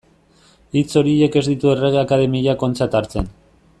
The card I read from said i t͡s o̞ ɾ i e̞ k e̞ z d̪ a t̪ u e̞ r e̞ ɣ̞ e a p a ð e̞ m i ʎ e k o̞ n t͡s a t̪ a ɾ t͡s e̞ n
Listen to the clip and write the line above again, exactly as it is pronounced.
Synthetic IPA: i t͡s o̞ ɾ i e̞ k e̞ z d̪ i t̪ u e̞ r e̞ ɣ̞ e a k a ð e̞ m i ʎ a k o̞ n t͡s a t̪ a ɾ t͡s e̞ n